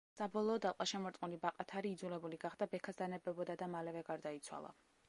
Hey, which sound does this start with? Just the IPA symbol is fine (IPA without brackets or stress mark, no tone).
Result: s